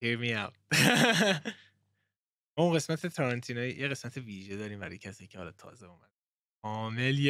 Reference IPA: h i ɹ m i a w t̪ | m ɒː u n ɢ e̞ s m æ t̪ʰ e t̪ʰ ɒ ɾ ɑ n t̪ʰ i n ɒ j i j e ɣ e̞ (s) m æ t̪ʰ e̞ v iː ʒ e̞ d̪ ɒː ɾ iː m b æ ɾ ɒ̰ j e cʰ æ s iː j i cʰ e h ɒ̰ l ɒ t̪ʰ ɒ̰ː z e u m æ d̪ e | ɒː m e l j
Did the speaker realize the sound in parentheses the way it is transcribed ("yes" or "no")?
yes